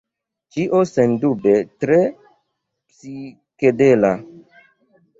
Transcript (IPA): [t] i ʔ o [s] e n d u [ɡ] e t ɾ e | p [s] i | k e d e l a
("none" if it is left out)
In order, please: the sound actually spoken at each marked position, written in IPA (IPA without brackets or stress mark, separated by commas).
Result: t͡ʃ, s, b, s